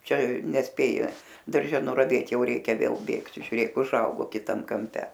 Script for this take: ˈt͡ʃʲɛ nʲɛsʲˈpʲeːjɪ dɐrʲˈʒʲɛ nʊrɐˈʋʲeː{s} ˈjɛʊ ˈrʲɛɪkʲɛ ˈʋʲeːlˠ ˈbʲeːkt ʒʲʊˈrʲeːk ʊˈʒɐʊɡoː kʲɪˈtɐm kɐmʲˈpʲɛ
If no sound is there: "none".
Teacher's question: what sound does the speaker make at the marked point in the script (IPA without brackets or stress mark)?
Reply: t